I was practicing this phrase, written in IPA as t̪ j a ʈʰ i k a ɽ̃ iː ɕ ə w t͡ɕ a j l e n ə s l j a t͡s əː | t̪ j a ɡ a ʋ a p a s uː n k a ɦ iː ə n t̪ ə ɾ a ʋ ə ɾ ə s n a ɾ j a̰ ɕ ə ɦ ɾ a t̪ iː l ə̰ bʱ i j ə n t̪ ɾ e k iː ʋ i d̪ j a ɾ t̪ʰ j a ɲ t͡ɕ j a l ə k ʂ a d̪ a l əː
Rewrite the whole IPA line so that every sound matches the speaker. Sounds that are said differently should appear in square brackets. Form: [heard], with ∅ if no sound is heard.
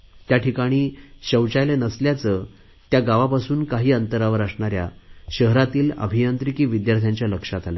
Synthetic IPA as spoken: t̪ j a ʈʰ i k a ɽ̃ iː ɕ ə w t͡ɕ a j l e n ə s l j a t͡s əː | t̪ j a ɡ a ʋ a p a s uː n k a ɦ iː ə n t̪ ə ɾ a ʋ ə ɾ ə s [ɳ] a ɾ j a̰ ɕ ə ɦ ɾ a t̪ iː l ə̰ bʱ i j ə n t̪ ɾ [i] k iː ʋ i d̪ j a ɾ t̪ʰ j a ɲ t͡ɕ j a l ə k ʂ a [t̪] a l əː